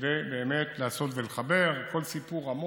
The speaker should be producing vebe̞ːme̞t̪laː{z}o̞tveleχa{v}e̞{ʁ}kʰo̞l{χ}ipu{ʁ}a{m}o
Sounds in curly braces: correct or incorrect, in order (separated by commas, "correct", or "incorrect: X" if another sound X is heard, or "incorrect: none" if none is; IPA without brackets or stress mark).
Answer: incorrect: s, incorrect: b, correct, incorrect: s, correct, correct